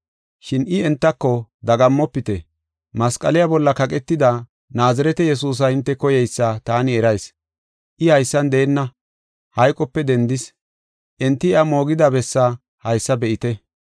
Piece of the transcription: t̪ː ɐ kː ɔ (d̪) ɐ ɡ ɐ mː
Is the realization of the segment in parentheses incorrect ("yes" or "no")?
no